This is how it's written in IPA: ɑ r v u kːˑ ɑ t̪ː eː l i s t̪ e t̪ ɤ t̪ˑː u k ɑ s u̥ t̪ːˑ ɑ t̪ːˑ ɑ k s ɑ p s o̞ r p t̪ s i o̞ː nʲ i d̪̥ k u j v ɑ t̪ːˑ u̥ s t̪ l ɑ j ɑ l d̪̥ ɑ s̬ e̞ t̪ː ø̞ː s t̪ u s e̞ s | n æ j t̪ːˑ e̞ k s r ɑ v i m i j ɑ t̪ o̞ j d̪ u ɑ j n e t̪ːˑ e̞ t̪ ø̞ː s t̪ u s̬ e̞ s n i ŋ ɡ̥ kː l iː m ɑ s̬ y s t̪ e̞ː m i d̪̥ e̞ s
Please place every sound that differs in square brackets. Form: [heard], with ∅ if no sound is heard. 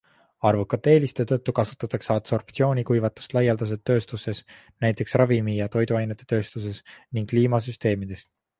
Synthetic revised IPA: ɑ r v u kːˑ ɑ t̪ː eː l i s t̪ e t̪ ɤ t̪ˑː u k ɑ s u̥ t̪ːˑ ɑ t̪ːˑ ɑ k s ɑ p s o̞ r p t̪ s i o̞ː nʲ i [∅] k u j v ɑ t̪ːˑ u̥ s t̪ l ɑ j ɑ l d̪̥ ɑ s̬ e̞ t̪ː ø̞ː s t̪ u s e̞ s | n æ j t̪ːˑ e̞ k s r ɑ v i m i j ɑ t̪ o̞ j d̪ u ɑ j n e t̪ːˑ e̞ t̪ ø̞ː s t̪ u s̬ e̞ s n i ŋ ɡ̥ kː l iː m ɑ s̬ y s t̪ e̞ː m i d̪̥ e̞ s

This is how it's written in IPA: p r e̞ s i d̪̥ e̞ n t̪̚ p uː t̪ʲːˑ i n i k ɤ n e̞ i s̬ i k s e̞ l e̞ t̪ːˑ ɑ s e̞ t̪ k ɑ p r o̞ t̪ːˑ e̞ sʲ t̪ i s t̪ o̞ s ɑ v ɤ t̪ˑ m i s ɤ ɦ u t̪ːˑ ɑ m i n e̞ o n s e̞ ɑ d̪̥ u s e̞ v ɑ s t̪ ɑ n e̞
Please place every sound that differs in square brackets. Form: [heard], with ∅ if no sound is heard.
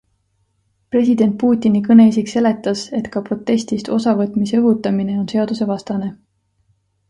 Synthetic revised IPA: p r e̞ s i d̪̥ e̞ n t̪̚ p uː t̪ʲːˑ i n i k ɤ n e̞ i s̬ i k s e̞ l e̞ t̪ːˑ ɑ s e̞ t̪ k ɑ p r o̞ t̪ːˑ e̞ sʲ t̪ i s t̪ o̞ s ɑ v ɤ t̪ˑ m i s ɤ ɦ u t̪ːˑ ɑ m i n e̞ o n s e̞ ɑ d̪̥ u s e̞ v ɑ s t̪ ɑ n e̞

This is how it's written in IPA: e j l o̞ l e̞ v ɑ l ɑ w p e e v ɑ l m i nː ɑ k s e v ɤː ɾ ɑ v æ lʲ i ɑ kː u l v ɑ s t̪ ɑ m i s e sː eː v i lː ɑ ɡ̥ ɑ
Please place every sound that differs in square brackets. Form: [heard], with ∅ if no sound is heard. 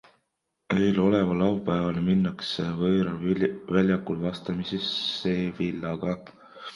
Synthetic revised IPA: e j l o̞ l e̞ v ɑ l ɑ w p [æ] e v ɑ l m i nː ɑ k s e v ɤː ɾ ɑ v æ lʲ [j] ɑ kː u l v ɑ s t̪ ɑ m i s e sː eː v i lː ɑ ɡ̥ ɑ

